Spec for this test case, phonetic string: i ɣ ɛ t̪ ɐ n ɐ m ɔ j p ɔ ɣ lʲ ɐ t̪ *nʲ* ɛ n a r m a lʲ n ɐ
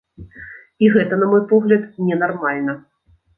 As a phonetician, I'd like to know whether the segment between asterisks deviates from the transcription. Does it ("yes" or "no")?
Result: no